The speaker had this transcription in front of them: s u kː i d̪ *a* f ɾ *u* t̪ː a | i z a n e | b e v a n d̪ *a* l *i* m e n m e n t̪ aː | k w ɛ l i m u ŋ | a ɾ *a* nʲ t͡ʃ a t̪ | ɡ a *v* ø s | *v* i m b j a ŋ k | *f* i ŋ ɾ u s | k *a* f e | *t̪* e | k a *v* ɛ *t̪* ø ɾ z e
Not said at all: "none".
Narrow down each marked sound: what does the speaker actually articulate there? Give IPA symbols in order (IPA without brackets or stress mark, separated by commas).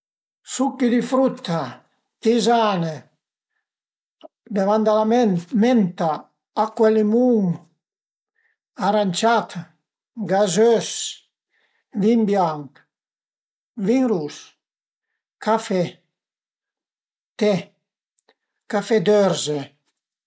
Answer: i, u, a, a, a, z, v, v, a, t̪, f, d̪